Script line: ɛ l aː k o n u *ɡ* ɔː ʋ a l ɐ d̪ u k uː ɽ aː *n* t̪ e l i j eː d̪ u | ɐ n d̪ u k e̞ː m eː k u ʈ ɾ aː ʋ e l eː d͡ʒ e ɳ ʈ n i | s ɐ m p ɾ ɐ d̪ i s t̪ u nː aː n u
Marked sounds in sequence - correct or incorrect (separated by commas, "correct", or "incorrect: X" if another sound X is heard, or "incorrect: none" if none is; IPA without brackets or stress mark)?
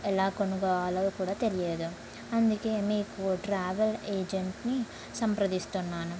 correct, incorrect: none